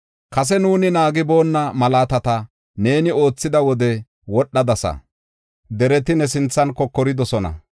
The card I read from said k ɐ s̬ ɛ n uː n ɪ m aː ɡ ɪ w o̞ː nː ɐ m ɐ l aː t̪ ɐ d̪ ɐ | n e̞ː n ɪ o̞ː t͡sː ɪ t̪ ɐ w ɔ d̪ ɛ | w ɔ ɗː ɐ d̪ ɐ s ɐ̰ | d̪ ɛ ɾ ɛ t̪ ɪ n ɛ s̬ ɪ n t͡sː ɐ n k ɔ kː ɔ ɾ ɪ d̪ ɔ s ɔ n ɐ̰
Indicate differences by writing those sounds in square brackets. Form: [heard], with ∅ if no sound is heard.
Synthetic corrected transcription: k ɐ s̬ ɛ n uː n ɪ [n] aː ɡ ɪ [b] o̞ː nː ɐ m ɐ l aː t̪ ɐ [t̪] ɐ | n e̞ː n ɪ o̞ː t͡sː ɪ [d̪] ɐ w ɔ d̪ ɛ | w ɔ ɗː ɐ d̪ ɐ s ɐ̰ | d̪ ɛ ɾ ɛ t̪ ɪ n ɛ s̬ ɪ n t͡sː ɐ n k ɔ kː ɔ ɾ ɪ d̪ ɔ s ɔ n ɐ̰